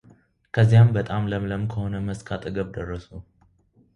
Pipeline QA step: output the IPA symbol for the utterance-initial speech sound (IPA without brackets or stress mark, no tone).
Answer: kʰ